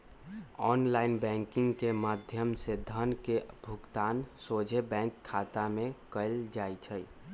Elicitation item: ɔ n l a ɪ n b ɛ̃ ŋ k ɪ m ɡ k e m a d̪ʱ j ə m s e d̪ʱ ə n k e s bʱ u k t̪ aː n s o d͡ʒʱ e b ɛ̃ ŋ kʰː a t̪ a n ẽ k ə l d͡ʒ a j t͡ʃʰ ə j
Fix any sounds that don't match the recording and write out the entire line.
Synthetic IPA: ɔ n l a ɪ n b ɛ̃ ŋ k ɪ ŋ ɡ k e m a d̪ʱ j ə m s e d̪ʱ ə n k e bʱ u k t̪ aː n s o d͡ʒʱ e b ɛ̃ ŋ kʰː a t̪ a m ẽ k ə l d͡ʒ a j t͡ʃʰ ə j